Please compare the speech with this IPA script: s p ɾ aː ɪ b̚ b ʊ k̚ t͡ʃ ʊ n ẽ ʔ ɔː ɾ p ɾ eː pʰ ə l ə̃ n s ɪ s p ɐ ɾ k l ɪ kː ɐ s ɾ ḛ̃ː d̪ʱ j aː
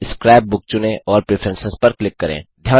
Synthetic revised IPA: s k ɾ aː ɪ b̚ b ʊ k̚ t͡ʃ ʊ n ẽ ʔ ɔː ɾ p ɾ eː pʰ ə ɾ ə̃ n s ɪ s p ɐ ɾ k l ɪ kː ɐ ɾ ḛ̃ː d̪ʱ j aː